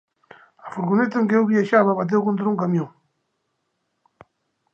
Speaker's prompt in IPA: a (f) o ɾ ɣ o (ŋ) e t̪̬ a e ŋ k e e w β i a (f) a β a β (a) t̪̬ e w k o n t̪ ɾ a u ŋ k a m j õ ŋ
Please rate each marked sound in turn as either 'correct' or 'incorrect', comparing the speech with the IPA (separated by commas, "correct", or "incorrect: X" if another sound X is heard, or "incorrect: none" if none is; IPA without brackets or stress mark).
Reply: correct, incorrect: n, incorrect: ʃ, correct